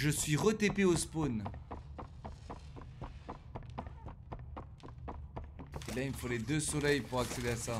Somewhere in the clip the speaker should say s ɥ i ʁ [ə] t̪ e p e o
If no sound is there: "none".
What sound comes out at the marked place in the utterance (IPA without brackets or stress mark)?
ə